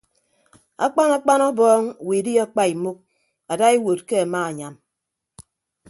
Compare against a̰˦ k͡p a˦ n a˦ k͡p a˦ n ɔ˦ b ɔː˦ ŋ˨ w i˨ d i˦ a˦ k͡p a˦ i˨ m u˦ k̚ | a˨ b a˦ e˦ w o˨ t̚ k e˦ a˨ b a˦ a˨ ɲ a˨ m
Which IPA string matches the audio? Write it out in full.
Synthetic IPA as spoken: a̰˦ k͡p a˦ n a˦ k͡p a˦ n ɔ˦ b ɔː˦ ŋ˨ w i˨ d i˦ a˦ k͡p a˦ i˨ m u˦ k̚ | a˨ d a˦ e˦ w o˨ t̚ k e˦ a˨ m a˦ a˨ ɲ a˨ m

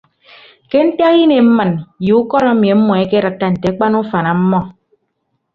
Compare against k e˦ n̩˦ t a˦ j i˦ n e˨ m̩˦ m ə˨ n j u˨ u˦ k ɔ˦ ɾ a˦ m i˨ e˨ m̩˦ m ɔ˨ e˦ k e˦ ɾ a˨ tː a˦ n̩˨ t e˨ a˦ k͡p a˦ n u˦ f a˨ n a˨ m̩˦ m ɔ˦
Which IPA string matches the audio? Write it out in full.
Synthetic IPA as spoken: k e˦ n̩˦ t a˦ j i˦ n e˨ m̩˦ m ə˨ n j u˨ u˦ k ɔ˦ ɾ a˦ m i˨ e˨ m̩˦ m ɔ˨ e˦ k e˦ ɾ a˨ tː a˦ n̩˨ t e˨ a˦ k͡p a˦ n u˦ f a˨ n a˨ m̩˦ m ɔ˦

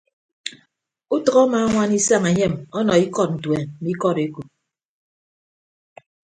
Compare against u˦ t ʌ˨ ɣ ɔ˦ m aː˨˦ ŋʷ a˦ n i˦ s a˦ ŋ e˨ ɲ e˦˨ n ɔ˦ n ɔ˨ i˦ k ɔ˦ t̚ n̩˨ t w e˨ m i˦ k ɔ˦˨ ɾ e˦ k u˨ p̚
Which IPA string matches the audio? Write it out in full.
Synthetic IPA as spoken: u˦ t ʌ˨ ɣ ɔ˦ m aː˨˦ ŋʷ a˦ n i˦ s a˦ ŋ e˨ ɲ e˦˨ m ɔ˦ n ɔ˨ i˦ k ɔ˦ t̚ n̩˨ t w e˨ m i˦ k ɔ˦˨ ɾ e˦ k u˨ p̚

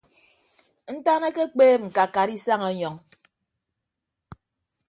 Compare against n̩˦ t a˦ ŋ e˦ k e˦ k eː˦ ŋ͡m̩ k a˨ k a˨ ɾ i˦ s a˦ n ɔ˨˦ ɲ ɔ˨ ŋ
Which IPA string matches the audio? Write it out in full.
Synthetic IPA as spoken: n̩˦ t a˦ n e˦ k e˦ k͡p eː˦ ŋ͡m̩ k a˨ k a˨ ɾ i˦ s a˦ ŋ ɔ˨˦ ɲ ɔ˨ ŋ

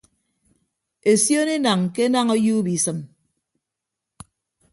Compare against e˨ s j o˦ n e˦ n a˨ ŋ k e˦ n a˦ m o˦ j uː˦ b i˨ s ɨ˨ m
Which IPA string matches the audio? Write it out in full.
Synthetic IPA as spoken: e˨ s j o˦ n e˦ n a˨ ŋ k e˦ n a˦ ŋ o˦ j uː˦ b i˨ s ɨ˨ m

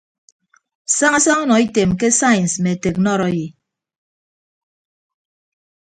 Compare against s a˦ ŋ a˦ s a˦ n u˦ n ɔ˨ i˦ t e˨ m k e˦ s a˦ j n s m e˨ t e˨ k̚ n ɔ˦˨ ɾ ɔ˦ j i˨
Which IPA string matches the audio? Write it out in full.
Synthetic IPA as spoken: s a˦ ŋ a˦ s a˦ ŋ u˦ n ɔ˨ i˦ t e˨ m k e˦ s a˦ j n s m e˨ t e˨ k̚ n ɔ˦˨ ɾ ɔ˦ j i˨

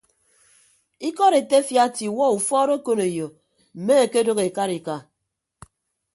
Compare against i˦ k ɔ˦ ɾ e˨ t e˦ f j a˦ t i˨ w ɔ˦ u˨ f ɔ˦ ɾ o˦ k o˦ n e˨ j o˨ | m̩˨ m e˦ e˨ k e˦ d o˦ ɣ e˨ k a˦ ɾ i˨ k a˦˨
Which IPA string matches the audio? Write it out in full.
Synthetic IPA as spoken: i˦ k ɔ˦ ɾ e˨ t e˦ f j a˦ t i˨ w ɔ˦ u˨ f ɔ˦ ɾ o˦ k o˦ n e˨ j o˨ | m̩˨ m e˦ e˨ k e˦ d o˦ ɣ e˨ k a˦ ɾ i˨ k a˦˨

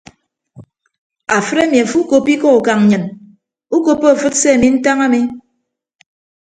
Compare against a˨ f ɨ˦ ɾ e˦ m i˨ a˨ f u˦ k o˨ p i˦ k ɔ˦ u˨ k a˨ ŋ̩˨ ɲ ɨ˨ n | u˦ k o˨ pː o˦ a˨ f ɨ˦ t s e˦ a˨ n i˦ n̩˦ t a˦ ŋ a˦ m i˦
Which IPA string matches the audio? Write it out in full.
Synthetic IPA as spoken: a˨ f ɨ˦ ɾ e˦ m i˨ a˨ f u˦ k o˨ p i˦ k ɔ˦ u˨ k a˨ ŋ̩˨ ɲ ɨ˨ n | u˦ k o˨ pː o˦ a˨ f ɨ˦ t s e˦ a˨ m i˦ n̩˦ t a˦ ŋ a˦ m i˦

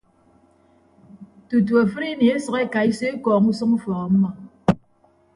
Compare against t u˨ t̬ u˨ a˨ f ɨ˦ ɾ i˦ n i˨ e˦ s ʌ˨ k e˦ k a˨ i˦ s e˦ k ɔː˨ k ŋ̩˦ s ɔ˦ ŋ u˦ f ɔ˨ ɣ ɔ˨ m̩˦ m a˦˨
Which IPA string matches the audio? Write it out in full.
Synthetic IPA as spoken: t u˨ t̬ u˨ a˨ f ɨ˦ ɾ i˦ n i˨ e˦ s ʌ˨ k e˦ k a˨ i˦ s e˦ k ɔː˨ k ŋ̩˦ s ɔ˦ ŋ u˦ f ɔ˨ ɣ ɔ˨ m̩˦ m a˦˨

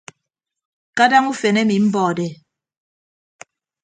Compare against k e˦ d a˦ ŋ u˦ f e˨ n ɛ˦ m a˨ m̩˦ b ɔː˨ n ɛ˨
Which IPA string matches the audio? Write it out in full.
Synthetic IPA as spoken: k a˦ d a˦ ŋ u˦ f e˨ n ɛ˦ m i˨ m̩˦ b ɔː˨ d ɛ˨

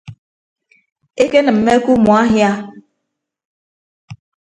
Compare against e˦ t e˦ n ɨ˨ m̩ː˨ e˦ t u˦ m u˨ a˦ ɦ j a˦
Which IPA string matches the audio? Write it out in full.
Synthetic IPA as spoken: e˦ k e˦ n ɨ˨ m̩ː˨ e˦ k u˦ m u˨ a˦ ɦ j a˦

